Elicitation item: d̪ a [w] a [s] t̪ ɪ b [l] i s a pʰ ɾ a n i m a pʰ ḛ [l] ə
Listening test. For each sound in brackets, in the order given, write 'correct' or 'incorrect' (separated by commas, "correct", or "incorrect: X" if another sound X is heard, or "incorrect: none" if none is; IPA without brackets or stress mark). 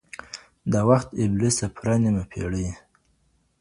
correct, incorrect: x, correct, incorrect: ɽ